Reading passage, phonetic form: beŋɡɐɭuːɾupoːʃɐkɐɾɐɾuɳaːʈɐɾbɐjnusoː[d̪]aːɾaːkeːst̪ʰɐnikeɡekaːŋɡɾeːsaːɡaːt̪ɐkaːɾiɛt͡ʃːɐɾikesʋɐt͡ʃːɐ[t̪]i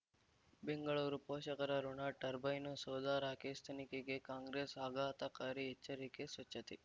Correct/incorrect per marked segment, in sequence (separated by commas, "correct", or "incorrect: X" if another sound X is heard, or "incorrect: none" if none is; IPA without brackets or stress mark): correct, correct